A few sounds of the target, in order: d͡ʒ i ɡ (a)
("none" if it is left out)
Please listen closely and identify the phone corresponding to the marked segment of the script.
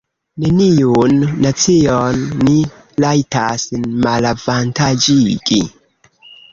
i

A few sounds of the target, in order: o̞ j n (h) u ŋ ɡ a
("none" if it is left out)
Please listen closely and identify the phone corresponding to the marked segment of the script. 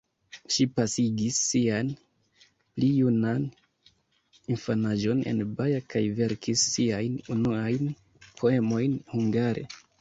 h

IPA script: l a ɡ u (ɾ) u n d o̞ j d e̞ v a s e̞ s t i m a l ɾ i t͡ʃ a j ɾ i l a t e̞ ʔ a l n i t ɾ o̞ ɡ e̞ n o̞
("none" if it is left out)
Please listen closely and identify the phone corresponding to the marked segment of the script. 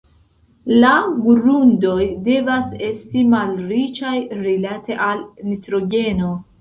ɾ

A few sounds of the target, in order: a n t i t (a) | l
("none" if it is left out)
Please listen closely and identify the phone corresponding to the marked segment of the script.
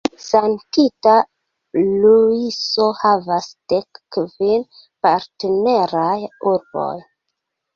a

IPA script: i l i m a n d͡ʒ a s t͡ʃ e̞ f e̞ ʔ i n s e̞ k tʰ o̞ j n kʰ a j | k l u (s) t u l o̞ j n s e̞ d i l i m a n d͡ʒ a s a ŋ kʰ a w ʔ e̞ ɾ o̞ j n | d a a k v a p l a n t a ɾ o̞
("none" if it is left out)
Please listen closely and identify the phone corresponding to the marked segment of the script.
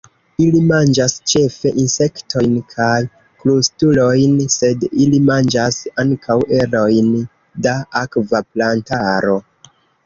s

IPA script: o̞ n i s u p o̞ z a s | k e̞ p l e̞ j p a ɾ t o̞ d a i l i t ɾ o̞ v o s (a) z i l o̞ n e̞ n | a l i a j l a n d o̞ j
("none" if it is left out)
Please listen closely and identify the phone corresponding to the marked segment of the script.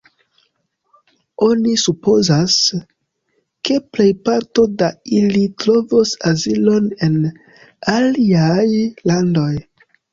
a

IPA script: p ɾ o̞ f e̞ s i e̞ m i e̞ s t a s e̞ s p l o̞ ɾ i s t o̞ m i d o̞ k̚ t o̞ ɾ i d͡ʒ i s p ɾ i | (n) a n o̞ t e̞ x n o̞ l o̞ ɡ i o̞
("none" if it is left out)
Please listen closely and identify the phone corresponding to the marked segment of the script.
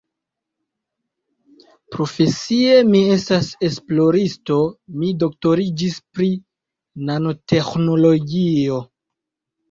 n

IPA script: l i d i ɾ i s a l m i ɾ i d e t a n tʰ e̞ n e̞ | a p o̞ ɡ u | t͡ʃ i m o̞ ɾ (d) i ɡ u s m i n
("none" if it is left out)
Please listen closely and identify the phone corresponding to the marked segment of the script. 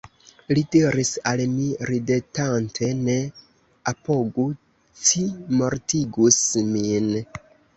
t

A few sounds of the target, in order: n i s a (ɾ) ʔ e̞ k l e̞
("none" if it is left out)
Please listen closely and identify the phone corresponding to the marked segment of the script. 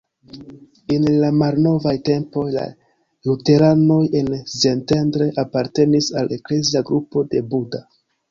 l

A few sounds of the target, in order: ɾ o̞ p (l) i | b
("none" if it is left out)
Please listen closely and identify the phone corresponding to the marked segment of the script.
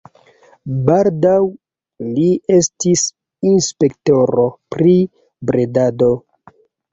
ɾ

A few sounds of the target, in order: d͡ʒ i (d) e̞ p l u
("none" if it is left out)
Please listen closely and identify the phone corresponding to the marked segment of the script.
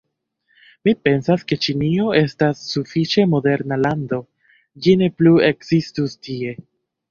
n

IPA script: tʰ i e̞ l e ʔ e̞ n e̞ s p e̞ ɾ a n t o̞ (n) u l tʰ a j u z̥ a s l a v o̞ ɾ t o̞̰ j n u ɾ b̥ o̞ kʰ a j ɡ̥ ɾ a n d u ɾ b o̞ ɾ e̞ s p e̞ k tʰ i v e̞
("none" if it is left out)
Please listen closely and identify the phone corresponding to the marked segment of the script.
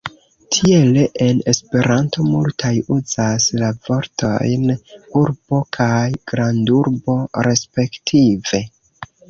m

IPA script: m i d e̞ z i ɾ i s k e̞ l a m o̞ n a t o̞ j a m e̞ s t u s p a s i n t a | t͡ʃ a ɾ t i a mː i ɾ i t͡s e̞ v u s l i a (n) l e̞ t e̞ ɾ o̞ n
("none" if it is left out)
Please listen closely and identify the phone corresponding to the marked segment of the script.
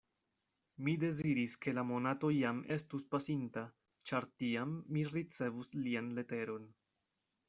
n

